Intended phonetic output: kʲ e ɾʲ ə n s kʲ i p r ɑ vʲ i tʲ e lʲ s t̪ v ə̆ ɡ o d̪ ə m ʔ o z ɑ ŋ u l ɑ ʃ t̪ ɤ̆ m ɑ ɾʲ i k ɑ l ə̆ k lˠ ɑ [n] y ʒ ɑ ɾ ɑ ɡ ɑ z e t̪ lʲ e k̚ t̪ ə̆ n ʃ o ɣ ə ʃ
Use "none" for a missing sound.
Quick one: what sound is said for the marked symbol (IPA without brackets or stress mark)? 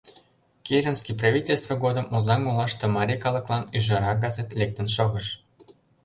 n